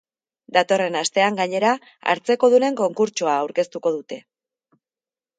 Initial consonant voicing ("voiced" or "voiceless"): voiced